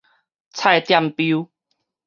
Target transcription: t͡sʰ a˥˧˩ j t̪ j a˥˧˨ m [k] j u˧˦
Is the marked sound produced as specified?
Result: no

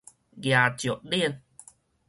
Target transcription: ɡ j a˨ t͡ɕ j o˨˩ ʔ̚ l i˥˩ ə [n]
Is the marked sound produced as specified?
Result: yes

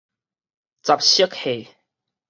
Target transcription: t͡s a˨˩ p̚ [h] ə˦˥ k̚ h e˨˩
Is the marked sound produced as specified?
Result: no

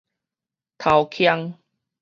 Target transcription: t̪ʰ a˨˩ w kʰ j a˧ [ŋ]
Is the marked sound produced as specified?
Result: yes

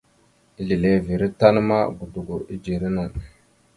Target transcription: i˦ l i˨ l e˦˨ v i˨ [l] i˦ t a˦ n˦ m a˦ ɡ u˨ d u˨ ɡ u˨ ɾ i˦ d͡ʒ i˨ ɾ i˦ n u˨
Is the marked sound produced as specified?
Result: no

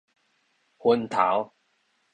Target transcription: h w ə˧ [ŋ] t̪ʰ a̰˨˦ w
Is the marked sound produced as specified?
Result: no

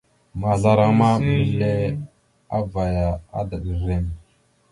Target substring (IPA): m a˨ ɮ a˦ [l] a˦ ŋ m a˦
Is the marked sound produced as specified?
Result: no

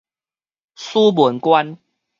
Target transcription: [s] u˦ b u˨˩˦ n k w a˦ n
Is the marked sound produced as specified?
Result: yes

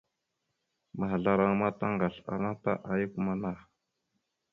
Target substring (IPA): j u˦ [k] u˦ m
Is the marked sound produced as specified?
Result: yes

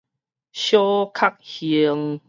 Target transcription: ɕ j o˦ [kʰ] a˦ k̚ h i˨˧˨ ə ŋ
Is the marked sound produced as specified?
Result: yes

